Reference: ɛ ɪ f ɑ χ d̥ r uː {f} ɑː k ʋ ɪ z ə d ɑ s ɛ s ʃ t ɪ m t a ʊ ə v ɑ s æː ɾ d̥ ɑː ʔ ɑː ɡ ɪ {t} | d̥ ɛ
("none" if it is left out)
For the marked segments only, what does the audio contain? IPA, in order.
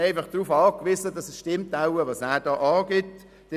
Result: f, t

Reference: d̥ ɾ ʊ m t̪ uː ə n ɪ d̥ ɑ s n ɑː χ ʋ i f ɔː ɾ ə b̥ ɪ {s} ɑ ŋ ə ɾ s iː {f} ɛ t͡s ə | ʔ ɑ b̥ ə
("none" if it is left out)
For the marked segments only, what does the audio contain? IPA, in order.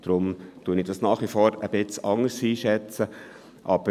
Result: t͡s, ʃ

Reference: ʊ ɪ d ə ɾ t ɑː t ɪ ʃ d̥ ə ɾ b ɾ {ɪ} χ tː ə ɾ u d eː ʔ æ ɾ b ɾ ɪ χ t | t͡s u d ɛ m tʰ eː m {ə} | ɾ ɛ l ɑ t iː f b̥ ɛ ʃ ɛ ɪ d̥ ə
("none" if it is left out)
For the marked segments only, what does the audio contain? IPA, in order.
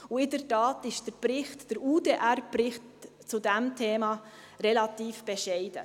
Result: ɪ, ɑ

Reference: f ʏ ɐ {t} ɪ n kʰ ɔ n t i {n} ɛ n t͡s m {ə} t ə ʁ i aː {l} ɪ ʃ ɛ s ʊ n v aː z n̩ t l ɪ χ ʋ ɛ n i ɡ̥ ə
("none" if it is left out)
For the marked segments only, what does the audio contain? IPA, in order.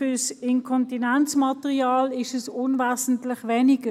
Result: s, n, ɑ, l

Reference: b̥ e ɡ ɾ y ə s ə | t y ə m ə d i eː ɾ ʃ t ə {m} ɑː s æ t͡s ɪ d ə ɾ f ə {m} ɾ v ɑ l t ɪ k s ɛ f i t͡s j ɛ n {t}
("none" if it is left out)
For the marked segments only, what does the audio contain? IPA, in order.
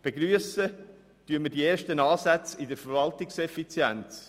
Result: n, none, t͡s

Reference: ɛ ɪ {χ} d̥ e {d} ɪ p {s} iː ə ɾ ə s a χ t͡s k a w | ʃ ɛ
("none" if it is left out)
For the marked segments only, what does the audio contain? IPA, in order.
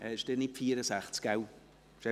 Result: ʃ, n, f

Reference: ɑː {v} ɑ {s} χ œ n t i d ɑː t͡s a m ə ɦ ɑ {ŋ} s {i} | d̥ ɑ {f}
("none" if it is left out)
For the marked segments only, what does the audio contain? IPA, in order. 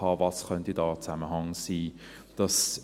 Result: v, s, ŋ, iː, s

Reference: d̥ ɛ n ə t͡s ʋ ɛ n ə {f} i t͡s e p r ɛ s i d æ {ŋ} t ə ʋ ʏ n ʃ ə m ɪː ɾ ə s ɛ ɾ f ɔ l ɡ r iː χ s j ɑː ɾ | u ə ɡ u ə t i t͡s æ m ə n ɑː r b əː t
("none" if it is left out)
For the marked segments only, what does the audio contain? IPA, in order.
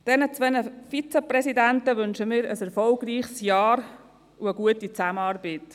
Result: f, n

